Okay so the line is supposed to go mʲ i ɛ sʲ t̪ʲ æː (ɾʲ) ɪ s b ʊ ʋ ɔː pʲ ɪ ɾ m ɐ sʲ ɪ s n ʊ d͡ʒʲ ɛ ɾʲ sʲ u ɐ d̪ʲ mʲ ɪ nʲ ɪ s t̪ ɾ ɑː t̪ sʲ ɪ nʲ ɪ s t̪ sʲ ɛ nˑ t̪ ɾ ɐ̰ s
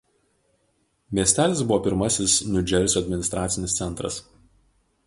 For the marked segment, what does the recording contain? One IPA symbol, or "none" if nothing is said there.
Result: lʲ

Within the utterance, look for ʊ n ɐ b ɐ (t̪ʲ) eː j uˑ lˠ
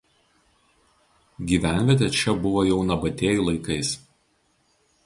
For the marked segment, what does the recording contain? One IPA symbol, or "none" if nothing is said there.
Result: t̪ʲ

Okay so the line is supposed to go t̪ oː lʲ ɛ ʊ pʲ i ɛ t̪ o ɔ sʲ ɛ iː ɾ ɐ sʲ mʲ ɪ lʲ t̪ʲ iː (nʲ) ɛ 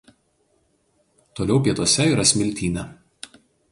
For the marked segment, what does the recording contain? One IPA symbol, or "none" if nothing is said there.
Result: nʲ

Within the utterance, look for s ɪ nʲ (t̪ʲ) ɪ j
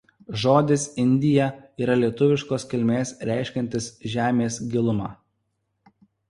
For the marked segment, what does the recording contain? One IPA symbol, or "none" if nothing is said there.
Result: d̪ʲ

